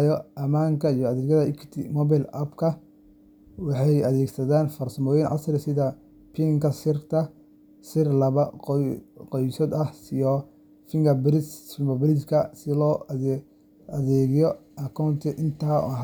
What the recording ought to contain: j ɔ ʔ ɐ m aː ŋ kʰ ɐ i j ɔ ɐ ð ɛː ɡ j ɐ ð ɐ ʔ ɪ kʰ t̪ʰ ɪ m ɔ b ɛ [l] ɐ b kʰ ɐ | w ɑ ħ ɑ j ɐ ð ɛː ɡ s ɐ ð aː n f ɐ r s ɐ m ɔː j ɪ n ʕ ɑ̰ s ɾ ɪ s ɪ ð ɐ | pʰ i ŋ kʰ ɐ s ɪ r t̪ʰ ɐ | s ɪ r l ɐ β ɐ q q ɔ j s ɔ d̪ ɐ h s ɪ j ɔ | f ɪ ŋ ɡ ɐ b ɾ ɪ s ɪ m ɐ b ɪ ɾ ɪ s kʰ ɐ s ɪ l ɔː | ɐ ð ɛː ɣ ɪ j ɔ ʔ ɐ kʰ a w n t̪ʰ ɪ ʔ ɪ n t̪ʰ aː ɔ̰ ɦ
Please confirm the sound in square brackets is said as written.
yes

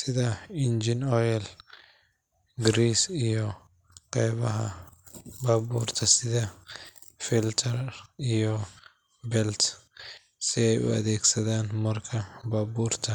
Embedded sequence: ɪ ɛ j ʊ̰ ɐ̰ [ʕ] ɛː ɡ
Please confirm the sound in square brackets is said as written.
no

